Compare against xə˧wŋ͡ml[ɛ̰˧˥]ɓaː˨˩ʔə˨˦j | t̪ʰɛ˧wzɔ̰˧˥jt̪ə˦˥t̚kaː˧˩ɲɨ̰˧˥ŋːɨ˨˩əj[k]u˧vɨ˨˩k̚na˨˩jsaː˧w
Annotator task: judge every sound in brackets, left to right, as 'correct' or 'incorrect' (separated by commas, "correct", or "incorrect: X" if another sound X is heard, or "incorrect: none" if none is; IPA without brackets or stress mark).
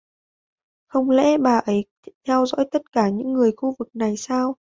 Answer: correct, incorrect: x